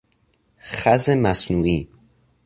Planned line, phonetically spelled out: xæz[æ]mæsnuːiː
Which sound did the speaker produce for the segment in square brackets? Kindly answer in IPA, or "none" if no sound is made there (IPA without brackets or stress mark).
e